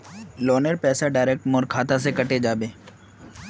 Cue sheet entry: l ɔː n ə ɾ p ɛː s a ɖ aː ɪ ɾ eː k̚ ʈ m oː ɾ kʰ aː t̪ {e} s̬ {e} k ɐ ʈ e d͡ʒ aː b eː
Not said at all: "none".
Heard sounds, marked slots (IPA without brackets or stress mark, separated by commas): a, e